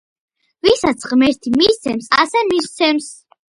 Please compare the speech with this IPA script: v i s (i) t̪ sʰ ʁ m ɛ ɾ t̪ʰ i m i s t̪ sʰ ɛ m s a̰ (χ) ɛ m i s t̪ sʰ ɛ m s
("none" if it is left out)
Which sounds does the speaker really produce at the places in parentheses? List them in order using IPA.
a, s

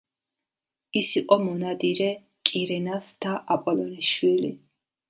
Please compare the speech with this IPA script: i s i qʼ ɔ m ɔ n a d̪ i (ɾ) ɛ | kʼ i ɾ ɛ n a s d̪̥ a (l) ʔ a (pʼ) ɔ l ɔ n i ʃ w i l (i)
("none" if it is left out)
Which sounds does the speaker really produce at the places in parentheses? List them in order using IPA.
ɾ, none, pʼ, i

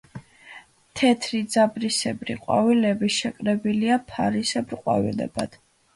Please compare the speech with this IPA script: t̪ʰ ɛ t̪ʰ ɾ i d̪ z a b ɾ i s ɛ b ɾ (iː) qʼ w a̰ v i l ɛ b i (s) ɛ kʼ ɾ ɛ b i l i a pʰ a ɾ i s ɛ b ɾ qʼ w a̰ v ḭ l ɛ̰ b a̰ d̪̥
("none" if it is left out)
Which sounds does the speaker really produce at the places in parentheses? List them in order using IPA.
i, ʃ

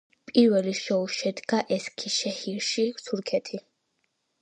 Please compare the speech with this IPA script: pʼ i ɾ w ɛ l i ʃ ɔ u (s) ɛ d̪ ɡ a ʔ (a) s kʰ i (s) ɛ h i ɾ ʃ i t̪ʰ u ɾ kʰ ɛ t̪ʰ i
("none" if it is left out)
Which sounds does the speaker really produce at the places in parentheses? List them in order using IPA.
ʃ, ɛ, ʃ

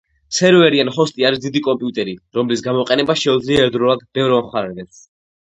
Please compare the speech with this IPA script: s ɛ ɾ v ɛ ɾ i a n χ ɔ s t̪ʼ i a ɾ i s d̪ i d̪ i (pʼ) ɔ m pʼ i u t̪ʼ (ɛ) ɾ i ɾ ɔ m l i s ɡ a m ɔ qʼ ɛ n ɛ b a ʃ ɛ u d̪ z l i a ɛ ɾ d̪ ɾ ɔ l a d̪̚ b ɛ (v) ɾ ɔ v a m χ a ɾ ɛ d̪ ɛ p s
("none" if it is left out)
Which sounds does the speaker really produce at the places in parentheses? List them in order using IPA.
kʼ, ɛ, v

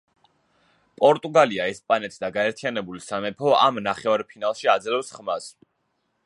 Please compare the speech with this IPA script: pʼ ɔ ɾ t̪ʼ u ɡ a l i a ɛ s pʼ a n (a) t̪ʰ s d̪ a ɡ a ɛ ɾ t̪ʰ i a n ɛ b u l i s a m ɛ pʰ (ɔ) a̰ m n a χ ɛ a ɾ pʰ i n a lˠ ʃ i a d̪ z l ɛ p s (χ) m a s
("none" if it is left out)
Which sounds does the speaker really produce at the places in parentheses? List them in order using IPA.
ɛ, ɔ, χ

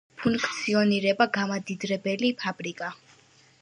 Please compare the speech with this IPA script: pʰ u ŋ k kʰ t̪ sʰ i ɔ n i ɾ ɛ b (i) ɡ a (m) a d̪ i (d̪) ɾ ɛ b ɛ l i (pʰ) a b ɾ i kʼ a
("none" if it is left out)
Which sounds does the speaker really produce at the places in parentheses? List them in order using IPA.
a, m, d̪, pʰ

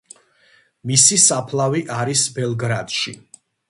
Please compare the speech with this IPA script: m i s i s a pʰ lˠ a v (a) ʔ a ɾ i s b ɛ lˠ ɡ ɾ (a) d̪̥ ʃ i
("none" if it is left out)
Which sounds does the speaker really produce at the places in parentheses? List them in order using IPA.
i, a

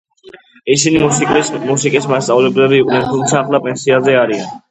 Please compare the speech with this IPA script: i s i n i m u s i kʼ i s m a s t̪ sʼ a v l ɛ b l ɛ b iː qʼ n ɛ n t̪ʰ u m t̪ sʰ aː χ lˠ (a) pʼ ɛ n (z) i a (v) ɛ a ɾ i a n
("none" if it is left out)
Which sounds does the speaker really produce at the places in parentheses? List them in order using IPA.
a, s, z

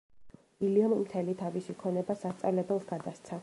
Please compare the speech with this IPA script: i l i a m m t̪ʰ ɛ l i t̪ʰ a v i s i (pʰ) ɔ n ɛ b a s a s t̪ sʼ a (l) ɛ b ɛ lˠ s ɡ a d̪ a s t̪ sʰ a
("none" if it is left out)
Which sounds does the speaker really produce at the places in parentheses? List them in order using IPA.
kʰ, l

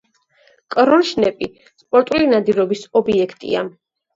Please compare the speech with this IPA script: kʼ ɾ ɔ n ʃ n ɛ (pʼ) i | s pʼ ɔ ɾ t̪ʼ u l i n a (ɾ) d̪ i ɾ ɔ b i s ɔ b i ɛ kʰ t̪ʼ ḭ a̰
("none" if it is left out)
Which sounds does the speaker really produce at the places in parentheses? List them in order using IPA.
pʼ, none

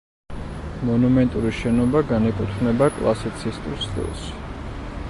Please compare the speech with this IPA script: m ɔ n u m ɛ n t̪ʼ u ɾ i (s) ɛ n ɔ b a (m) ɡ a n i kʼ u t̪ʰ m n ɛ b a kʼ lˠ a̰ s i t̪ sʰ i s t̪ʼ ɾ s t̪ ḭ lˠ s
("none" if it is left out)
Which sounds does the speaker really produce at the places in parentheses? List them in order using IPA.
ʃ, none

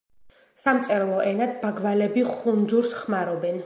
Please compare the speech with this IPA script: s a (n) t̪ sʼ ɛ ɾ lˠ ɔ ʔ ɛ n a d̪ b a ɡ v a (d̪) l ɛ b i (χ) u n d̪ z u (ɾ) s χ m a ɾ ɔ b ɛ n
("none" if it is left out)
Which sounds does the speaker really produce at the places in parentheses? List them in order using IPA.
m, none, χ, ɾ

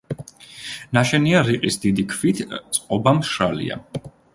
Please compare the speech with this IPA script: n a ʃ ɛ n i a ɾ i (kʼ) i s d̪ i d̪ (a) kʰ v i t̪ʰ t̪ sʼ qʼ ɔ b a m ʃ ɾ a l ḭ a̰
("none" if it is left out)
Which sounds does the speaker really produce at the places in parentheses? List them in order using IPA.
qʼ, i

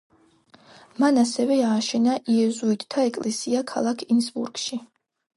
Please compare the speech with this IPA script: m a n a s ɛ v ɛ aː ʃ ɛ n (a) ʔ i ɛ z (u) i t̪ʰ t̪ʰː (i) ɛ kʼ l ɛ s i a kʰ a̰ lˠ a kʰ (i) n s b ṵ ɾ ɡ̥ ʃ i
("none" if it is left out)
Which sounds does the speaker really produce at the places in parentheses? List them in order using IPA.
a, u, a, i

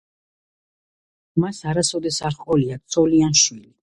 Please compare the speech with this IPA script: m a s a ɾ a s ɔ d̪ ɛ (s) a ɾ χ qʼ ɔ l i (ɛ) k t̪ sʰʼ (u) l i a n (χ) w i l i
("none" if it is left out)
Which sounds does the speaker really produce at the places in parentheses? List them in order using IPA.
s, a, ɔ, ʃ

